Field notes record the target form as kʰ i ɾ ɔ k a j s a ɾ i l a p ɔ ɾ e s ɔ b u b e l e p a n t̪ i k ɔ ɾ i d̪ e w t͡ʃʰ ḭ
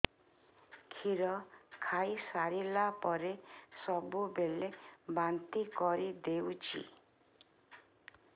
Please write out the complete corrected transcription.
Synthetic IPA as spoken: kʰ i ɾ ɔ kʰ a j s a ɾ i l a p ɔ ɾ e s ɔ b u b e l e b a n t̪ i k ɔ ɾ i d̪ e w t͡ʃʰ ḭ